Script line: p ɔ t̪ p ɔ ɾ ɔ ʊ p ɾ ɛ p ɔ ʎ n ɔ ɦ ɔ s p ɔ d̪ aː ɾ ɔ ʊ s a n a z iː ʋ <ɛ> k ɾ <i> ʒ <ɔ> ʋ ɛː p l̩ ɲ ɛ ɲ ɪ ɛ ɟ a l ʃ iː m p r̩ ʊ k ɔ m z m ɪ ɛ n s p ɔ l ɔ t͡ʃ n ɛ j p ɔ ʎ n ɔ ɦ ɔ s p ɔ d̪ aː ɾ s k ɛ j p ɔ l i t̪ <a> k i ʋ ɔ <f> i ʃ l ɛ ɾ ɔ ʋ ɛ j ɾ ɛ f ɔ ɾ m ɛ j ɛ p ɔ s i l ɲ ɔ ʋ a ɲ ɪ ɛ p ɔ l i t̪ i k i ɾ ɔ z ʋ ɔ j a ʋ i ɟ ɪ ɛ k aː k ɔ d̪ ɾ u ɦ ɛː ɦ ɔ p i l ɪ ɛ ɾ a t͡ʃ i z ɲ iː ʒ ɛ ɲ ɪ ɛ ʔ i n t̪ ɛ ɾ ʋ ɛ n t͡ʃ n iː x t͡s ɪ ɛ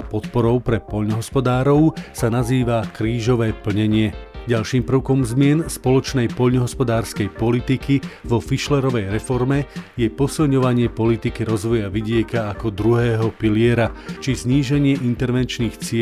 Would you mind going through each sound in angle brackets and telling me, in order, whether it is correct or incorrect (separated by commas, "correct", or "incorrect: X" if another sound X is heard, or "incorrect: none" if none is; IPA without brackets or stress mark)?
incorrect: a, incorrect: iː, correct, incorrect: i, correct